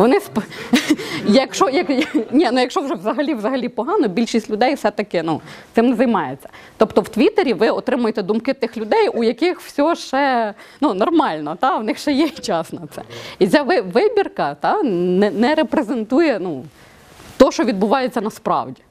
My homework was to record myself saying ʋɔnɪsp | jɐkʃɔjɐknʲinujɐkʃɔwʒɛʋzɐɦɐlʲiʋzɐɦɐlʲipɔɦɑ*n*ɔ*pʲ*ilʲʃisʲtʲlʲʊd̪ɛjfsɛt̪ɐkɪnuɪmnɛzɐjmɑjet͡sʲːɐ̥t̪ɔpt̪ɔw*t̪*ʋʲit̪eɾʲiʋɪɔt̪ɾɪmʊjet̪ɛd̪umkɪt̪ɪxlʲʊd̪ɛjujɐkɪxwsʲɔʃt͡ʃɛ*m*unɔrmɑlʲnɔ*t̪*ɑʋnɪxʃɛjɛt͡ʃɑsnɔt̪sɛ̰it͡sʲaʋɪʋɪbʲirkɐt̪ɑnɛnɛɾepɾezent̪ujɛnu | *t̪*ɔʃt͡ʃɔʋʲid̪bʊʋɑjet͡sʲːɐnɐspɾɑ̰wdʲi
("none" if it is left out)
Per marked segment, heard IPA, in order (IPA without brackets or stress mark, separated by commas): n, bʲ, t̪, n, t̪, t̪